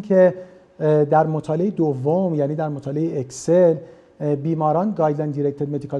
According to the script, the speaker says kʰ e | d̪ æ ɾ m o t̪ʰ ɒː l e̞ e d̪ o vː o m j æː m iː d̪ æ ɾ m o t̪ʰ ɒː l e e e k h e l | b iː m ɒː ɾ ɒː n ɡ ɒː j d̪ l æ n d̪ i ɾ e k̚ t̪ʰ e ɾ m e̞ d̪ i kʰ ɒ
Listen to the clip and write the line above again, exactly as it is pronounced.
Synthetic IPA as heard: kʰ e | d̪ æ ɾ m o t̪ʰ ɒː l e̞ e d̪ o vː o m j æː n iː d̪ æ ɾ m o t̪ʰ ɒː l e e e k s e l | b iː m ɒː ɾ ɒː n ɡ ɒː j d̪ l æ n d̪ i ɾ e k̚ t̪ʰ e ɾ m e̞ d̪ i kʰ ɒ